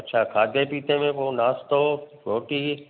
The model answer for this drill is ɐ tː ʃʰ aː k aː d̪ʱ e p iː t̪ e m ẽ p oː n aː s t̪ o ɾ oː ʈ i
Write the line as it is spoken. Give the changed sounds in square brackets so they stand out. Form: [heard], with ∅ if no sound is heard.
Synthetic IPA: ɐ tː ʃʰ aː [kʰ] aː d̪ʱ e p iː t̪ e m ẽ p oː n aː s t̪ o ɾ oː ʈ i